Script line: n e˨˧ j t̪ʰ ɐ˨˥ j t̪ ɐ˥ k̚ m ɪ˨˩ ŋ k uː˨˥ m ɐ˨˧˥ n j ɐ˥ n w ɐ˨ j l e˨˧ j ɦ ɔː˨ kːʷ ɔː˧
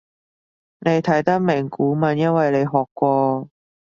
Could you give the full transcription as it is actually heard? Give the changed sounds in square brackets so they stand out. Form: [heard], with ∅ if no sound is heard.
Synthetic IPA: n e˨˧ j t̪ʰ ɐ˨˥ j t̪ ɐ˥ k̚ m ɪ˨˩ ŋ k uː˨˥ m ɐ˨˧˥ n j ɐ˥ n w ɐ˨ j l e˨˧ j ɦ ɔː˨ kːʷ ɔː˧